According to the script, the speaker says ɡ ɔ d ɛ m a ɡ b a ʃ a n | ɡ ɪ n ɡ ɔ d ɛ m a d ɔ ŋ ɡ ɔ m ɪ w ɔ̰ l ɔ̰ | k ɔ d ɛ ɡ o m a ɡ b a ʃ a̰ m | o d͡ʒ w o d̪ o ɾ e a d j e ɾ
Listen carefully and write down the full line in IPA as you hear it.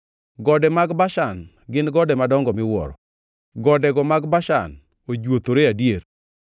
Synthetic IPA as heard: ɡ ɔ d ɛ m a ɡ b a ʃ a n | ɡ ɪ n ɡ ɔ d ɛ m a d ɔ ŋ ɡ ɔ m ɪ w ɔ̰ ɾ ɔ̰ | ɡ ɔ d ɛ ɡ ɔ m a ɡ b a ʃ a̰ n | o d͡ʒ w o t̪ o ɾ e a d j e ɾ